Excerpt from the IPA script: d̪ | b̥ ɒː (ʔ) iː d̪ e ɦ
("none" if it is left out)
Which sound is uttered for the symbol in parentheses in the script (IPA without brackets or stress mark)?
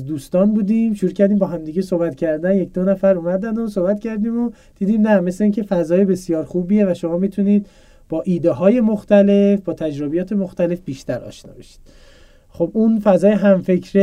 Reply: ʔ